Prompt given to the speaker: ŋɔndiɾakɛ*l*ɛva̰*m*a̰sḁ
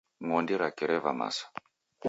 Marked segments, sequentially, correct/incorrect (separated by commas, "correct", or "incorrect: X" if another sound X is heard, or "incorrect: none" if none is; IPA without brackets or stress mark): incorrect: ɾ, correct